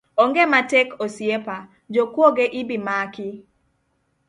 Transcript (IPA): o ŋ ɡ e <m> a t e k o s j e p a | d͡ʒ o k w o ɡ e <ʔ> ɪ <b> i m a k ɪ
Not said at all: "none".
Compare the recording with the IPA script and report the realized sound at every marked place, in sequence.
m, ʔ, b

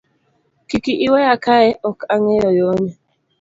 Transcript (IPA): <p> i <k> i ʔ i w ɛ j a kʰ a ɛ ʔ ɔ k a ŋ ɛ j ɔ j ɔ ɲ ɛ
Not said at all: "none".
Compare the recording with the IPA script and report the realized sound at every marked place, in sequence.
k, k

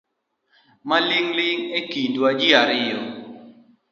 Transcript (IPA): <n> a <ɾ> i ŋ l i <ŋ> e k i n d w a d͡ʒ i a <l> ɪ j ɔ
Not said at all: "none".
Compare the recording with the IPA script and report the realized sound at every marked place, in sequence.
m, l, ŋ, ɾ

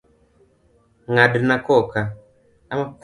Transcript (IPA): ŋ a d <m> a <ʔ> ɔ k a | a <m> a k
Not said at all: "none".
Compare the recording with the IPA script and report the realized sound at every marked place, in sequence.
n, k, m

